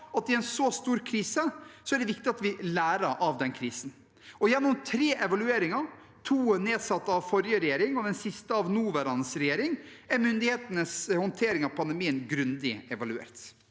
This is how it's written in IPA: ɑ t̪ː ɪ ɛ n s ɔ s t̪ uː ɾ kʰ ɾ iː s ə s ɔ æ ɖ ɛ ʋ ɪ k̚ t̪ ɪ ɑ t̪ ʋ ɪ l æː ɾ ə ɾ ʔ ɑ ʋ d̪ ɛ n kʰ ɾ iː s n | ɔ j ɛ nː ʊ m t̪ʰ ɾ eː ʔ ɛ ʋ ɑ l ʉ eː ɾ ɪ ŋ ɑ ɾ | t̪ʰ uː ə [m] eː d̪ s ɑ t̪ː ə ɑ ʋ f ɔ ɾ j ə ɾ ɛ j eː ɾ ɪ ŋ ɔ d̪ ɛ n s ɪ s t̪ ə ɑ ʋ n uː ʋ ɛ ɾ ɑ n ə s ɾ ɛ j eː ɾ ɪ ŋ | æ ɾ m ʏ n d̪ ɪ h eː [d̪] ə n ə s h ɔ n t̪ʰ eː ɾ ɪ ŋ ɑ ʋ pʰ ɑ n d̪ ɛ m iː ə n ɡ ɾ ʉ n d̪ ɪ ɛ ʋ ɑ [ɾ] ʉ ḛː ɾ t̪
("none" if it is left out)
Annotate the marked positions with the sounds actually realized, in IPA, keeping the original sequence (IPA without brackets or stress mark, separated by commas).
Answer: n, t̪, l